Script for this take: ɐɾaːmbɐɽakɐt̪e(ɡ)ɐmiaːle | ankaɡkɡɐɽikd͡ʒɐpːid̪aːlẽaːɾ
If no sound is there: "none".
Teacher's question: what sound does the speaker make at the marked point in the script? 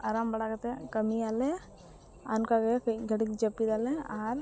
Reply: k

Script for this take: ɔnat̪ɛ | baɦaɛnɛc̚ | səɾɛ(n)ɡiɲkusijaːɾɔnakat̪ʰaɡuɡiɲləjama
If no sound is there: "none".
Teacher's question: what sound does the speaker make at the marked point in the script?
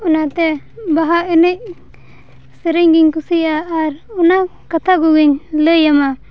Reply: ɲ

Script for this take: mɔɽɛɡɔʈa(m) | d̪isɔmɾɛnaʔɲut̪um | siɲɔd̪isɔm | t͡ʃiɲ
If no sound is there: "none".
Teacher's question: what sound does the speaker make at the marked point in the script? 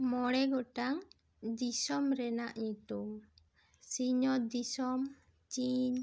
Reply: ŋ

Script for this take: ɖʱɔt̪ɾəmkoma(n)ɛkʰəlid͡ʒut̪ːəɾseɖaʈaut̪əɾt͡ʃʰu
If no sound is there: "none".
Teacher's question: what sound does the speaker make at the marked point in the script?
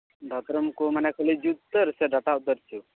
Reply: n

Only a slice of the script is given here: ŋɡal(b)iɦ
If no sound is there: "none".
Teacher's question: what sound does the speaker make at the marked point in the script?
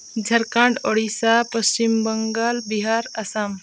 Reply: b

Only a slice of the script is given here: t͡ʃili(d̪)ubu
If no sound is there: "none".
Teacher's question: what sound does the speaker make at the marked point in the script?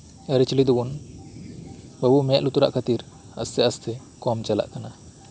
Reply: d̪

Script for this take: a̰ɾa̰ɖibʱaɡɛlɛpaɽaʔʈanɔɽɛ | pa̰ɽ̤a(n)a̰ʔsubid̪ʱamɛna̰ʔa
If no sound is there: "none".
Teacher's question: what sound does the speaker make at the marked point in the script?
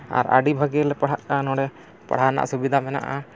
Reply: n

